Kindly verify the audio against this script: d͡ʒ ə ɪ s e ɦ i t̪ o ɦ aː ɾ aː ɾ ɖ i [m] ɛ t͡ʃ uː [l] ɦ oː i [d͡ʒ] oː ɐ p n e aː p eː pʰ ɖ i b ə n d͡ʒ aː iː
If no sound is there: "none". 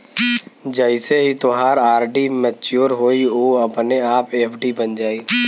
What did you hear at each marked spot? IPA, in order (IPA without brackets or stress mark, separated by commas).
m, ɾ, none